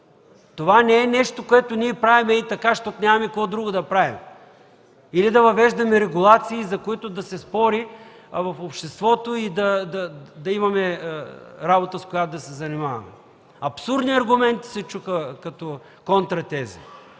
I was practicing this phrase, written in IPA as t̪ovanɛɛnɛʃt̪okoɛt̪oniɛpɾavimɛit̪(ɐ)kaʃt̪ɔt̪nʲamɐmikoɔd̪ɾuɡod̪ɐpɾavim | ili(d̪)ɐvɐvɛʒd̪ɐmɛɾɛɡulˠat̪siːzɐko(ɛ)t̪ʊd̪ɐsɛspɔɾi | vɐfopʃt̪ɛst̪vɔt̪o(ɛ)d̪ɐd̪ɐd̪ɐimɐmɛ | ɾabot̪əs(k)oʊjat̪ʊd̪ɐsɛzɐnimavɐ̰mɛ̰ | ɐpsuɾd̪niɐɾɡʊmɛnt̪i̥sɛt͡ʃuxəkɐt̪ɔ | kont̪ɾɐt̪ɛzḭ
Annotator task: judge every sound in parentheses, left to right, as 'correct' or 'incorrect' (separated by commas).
correct, correct, incorrect, incorrect, correct